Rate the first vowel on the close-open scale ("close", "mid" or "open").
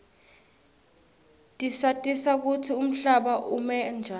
close